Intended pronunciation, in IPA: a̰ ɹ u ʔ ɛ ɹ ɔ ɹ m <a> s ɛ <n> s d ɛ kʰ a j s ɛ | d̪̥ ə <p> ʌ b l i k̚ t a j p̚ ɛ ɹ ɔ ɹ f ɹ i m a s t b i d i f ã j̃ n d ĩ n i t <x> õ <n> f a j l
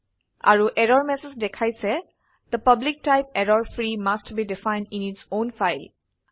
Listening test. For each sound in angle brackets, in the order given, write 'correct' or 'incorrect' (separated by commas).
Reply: incorrect, incorrect, correct, incorrect, correct